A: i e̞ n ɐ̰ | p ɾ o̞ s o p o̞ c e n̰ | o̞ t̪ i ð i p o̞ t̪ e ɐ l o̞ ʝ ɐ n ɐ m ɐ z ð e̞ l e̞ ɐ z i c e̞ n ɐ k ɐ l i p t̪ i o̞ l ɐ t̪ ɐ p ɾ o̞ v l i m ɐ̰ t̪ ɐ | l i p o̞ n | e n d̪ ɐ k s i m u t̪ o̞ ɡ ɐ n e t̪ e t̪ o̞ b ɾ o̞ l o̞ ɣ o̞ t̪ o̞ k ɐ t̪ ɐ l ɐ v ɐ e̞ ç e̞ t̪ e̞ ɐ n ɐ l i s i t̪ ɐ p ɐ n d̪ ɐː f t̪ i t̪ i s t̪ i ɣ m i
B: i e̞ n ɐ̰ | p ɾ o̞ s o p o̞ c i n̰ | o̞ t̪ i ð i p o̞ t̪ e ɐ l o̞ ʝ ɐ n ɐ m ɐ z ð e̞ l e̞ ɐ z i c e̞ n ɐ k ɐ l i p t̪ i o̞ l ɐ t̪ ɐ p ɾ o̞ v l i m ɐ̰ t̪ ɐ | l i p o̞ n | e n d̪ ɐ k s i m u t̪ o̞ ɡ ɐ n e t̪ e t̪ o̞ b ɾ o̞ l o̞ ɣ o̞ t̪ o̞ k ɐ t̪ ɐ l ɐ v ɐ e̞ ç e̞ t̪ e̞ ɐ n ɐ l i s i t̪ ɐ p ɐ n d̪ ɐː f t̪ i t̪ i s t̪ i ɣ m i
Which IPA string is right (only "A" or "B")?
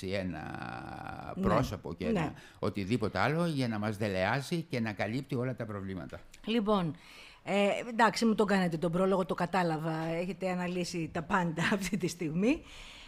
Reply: A